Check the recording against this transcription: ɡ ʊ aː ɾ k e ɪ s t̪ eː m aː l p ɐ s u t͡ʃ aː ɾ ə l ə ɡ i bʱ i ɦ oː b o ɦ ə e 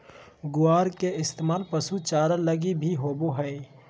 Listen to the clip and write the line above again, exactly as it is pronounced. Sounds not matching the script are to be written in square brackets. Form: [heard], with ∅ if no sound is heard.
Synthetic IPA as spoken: ɡ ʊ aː ɾ k e ɪ s t̪ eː m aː l p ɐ s u t͡ʃ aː ɾ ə l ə ɡ i bʱ i ɦ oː b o ɦ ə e